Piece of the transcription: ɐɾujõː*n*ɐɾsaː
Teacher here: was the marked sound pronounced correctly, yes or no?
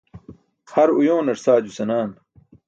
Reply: yes